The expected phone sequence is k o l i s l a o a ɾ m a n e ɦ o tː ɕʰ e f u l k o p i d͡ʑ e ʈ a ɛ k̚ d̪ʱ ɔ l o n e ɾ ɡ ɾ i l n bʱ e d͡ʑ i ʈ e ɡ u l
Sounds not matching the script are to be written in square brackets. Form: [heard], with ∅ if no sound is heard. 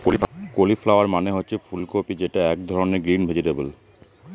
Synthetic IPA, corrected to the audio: k o l i [f] l a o a ɾ m a n e ɦ o tː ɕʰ e f u l k o p i d͡ʑ e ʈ a ɛ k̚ d̪ʱ ɔ [ɾ] o n e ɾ ɡ ɾ i [∅] n bʱ e d͡ʑ i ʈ e [b] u l